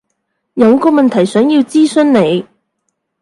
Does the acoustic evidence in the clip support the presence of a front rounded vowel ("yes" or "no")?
yes